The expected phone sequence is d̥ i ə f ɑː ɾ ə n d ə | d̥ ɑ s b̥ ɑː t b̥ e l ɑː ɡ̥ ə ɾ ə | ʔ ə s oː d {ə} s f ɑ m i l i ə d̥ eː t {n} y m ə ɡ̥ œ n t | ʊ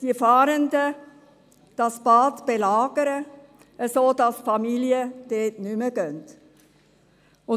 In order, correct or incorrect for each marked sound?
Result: incorrect: ɑ, correct

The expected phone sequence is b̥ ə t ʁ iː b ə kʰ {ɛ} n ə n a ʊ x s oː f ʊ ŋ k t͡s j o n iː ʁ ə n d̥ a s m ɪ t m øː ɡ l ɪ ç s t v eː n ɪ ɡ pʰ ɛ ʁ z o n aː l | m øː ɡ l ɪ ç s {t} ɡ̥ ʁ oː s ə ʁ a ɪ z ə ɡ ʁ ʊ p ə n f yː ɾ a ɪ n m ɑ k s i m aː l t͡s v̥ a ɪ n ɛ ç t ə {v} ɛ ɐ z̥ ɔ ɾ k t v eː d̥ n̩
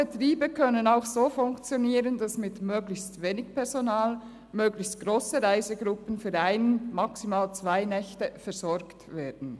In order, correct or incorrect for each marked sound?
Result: incorrect: œ, correct, incorrect: f

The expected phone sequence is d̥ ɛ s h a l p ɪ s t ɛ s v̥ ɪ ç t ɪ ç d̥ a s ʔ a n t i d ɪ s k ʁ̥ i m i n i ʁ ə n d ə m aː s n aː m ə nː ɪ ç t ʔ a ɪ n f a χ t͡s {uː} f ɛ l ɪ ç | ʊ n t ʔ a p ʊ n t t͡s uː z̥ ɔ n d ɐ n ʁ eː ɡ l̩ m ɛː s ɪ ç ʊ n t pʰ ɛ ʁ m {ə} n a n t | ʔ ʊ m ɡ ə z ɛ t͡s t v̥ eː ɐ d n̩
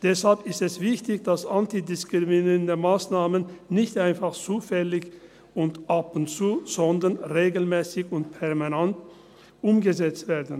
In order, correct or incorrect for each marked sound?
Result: correct, incorrect: a

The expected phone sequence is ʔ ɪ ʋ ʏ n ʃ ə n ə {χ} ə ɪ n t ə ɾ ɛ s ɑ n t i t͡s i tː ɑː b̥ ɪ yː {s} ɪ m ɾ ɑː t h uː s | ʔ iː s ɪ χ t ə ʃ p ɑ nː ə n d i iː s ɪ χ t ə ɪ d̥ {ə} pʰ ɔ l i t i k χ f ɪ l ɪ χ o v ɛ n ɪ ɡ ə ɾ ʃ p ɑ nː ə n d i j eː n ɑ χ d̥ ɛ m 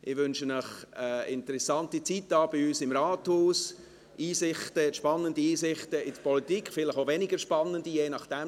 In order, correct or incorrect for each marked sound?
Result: correct, correct, correct

